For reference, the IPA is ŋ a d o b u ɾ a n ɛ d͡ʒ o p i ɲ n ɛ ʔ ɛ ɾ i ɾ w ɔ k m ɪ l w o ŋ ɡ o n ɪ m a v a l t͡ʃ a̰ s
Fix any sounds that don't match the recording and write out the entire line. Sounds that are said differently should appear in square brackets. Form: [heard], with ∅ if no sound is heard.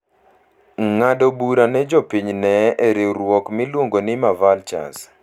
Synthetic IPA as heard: ŋ a d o b u ɾ a n ɛ d͡ʒ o p i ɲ n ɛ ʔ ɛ ɾ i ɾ w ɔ k m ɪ l w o ŋ ɡ o n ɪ m a v a l t͡ʃ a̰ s